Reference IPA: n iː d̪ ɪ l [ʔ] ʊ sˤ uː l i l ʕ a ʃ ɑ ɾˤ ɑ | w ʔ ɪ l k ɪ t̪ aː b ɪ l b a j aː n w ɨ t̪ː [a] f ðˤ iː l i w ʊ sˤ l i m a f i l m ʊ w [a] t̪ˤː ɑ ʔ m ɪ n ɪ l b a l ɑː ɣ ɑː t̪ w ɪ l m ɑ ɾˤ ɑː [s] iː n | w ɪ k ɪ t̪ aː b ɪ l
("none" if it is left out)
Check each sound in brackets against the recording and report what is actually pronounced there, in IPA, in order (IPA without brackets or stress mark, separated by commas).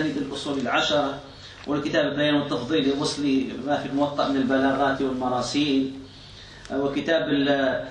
ʔ, ɑ, ɑ, s